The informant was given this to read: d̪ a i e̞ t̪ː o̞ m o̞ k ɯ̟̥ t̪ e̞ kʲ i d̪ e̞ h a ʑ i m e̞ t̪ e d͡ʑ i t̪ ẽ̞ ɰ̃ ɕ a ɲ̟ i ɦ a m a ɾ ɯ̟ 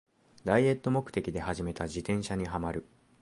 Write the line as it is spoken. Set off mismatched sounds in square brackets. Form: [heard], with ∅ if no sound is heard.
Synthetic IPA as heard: d̪ a i e̞ t̪ː o̞ m o̞ k ɯ̟̥ t̪ e̞ kʲ i d̪ e̞ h a ʑ i m e̞ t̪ [a] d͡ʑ i t̪ ẽ̞ ɰ̃ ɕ a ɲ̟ i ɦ a m a ɾ ɯ̟